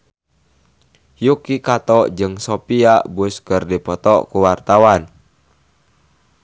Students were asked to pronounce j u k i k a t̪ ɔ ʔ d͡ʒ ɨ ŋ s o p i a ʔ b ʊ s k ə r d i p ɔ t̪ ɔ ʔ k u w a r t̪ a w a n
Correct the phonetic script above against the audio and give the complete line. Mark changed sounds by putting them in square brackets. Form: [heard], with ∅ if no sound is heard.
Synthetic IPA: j u k i k a t̪ ɔ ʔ d͡ʒ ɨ ŋ s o p i a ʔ b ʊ s k ə r d i p ɔ t̪ ɔ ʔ k u w a r t̪ a w a n